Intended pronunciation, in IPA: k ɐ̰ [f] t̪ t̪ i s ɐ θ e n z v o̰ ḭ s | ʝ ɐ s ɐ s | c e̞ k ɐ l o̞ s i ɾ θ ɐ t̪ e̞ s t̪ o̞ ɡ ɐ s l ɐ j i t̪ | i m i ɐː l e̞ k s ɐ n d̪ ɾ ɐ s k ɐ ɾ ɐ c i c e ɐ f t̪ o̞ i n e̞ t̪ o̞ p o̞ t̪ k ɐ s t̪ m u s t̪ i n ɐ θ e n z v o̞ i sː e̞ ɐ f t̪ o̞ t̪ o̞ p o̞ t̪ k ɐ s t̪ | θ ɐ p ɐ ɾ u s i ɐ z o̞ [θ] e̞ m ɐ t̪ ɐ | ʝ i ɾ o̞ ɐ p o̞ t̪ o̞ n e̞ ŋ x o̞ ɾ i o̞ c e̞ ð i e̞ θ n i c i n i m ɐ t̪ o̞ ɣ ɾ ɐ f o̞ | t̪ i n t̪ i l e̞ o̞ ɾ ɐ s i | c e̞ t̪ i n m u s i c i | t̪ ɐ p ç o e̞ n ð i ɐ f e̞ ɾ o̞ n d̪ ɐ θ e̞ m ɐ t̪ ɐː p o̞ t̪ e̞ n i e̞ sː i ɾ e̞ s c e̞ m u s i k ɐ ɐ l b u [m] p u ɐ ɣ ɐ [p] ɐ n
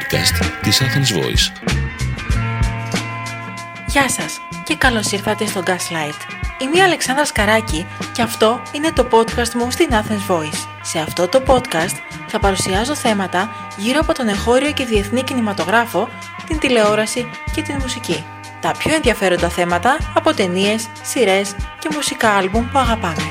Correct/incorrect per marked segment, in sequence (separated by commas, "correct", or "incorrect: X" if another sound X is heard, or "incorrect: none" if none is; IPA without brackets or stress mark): incorrect: s, correct, correct, correct